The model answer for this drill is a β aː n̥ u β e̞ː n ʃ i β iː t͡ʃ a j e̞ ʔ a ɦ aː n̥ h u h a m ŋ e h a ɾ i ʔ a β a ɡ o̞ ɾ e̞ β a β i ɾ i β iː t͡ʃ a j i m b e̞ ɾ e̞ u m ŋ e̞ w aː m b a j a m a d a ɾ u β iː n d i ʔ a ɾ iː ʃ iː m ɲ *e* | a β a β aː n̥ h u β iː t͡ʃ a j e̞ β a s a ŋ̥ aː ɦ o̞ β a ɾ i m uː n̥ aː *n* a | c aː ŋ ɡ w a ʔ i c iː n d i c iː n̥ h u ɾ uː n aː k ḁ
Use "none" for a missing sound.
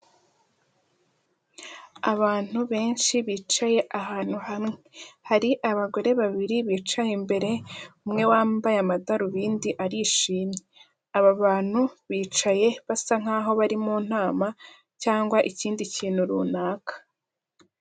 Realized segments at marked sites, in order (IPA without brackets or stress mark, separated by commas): e, m